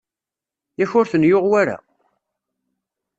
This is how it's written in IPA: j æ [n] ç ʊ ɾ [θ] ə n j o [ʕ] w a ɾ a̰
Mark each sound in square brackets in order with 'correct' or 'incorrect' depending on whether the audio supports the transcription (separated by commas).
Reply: incorrect, correct, incorrect